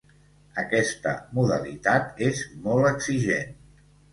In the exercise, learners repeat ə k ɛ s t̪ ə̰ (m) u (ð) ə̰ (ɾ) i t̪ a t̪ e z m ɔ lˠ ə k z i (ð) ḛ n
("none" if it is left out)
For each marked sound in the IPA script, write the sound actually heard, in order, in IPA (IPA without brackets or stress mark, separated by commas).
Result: m, ð, l, ʒ